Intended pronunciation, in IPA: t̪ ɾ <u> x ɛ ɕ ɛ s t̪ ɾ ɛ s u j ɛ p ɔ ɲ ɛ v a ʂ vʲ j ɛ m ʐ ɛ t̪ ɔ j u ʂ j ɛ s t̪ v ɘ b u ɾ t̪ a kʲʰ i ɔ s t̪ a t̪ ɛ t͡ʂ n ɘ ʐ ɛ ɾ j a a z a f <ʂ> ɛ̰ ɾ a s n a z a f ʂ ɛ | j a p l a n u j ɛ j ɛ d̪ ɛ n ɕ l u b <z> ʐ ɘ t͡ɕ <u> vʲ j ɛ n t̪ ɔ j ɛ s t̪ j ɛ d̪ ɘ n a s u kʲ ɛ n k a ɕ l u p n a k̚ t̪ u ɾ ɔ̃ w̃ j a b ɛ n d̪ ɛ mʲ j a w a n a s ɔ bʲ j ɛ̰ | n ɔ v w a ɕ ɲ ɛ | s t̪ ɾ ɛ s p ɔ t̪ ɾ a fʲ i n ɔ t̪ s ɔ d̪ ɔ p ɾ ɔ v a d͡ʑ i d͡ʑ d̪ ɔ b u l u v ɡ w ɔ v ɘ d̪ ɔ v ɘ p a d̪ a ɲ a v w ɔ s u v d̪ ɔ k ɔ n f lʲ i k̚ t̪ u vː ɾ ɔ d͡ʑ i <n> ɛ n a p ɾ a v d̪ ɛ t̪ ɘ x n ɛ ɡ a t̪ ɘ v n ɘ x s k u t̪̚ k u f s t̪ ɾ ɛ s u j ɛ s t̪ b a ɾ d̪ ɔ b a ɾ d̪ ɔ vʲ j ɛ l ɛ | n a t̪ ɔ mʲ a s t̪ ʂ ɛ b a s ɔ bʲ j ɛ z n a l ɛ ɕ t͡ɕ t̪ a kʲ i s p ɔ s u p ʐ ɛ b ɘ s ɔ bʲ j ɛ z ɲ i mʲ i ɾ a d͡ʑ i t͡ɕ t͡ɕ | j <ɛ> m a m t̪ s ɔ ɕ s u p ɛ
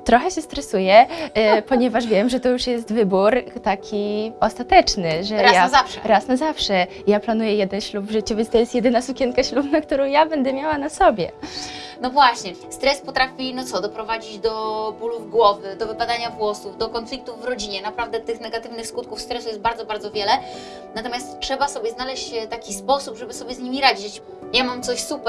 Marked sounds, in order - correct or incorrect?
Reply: incorrect: ɔ, correct, incorrect: v, correct, incorrect: ɲ, incorrect: a

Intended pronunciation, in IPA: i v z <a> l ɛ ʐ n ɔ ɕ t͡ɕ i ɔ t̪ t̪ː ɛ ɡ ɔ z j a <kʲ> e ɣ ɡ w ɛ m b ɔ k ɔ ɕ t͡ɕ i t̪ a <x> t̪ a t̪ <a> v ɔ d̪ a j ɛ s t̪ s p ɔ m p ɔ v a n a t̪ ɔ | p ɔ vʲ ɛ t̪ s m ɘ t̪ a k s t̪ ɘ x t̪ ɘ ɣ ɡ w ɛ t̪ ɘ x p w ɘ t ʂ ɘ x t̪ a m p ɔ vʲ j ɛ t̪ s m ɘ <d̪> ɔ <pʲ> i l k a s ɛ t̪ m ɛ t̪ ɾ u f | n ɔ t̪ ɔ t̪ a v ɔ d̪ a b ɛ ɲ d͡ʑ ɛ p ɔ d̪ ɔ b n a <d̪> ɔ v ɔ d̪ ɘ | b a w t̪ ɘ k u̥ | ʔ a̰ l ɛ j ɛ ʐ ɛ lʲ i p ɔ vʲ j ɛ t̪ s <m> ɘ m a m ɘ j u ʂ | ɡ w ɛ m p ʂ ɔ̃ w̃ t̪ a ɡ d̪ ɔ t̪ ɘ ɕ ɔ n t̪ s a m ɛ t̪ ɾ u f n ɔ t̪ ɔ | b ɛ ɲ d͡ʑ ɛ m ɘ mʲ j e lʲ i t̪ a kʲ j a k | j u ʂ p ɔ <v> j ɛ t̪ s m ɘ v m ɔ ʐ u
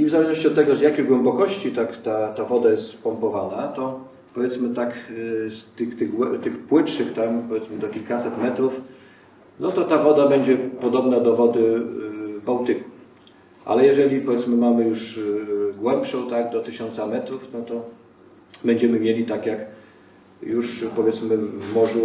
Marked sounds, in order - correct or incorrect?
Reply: correct, correct, incorrect: k, correct, correct, incorrect: kʲ, correct, correct, correct

